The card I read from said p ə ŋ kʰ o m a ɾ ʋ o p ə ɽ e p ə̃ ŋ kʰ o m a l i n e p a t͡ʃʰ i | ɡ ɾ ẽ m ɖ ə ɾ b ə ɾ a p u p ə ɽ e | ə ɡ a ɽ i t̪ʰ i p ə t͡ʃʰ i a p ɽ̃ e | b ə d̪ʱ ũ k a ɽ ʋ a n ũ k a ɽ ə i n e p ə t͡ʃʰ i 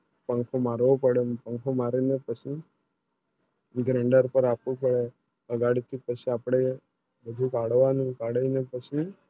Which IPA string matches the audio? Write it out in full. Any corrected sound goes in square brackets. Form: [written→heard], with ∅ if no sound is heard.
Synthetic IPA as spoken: p ə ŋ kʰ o m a ɾ ʋ o p ə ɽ e p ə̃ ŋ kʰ o m a [l→ɾ] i n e p [a→ə] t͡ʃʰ i | ɡ ɾ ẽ [m→ɳ] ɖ ə ɾ [b→p] ə ɾ a p u p ə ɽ e | ə ɡ a ɽ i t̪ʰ i p ə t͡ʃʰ i a p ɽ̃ e | b ə d̪ʱ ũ k a ɽ ʋ a n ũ k a ɽ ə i n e p ə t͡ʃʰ i